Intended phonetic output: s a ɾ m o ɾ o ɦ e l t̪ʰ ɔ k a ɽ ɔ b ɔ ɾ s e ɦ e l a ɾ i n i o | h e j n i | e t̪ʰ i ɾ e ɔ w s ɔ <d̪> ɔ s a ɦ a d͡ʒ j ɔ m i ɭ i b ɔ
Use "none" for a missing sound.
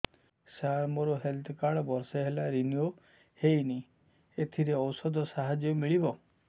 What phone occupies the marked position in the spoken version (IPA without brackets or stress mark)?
d̪